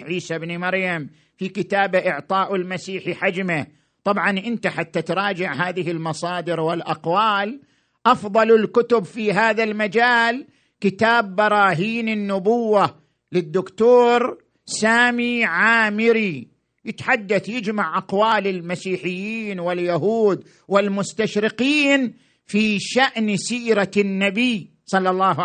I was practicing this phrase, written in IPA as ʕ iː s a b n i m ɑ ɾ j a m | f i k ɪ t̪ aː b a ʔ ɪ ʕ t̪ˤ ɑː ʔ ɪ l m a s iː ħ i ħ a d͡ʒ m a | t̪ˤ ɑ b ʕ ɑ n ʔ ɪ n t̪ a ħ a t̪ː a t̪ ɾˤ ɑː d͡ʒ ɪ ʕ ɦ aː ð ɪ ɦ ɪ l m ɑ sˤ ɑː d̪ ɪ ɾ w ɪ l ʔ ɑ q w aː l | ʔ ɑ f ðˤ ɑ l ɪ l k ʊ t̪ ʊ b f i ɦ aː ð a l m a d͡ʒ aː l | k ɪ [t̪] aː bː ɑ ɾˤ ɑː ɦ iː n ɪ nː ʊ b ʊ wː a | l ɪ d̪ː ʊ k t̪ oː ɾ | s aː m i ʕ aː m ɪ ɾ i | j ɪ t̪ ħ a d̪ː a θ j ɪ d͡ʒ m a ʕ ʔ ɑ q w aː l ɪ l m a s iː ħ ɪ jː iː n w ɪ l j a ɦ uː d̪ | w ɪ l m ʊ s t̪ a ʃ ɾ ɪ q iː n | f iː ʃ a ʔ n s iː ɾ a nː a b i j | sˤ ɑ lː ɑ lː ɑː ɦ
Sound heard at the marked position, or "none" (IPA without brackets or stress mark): t̪